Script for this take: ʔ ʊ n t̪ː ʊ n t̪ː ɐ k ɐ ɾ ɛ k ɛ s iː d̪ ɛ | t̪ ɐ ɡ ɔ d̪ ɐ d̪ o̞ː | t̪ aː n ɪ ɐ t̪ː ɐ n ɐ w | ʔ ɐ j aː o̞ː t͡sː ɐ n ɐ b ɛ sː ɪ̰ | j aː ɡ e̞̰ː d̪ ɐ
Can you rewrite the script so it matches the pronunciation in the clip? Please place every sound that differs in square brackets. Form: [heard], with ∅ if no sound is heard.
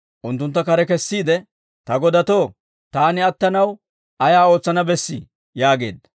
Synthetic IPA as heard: ʔ ʊ n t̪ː ʊ n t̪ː ɐ k ɐ ɾ ɛ k ɛ [sː] iː d̪ ɛ | t̪ ɐ ɡ ɔ d̪ ɐ [t̪] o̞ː | t̪ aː n ɪ ɐ t̪ː ɐ n ɐ w | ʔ ɐ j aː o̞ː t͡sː ɐ n ɐ b ɛ sː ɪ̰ | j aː ɡ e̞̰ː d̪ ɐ